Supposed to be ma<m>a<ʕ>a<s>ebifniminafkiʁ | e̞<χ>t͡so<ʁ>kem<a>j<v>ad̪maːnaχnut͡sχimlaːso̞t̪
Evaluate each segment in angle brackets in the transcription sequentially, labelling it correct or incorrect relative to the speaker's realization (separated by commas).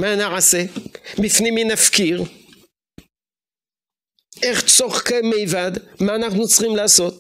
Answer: incorrect, correct, correct, correct, incorrect, incorrect, correct